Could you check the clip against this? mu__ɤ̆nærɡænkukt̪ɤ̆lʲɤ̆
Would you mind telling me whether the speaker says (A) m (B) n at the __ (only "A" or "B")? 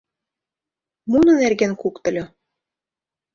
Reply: B